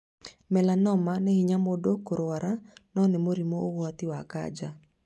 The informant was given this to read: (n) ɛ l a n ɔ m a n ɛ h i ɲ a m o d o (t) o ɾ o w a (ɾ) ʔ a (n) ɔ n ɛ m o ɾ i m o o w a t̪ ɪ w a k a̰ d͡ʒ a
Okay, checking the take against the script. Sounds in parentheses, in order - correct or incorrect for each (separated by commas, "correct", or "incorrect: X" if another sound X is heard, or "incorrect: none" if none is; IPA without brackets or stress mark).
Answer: incorrect: m, incorrect: k, correct, correct